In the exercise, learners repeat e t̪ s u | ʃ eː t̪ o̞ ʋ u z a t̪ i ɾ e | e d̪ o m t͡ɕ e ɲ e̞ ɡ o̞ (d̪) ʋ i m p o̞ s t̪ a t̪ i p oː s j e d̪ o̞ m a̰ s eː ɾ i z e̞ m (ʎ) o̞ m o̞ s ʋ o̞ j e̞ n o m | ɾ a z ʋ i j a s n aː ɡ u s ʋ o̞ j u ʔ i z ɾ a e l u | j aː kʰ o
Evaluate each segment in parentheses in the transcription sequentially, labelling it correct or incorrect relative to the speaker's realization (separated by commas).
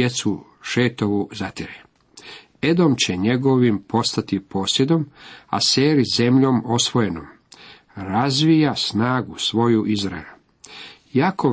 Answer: incorrect, correct